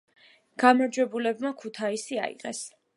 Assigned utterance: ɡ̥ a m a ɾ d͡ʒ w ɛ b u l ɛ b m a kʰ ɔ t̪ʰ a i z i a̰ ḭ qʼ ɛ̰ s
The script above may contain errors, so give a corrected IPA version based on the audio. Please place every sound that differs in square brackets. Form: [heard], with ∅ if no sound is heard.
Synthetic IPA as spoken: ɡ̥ a m a ɾ d͡ʒ w ɛ b u l ɛ b m a kʰ [u] t̪ʰ a i [s] i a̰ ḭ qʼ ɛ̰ s